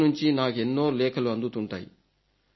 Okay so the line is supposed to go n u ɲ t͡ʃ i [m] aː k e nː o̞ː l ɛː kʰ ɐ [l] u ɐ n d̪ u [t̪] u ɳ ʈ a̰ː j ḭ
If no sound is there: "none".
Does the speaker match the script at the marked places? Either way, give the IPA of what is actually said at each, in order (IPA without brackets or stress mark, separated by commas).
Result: n, l, t̪